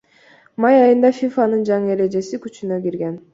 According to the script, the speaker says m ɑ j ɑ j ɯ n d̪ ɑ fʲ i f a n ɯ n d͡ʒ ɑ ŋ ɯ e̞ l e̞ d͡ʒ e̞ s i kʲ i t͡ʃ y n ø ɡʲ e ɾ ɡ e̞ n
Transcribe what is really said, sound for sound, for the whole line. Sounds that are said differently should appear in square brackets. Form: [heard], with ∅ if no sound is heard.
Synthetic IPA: m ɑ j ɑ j ɯ n d̪ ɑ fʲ i f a n ɯ n d͡ʒ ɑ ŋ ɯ e̞ [ɾ] e̞ d͡ʒ e̞ s i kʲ [y] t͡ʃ y n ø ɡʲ [i] ɾ ɡ e̞ n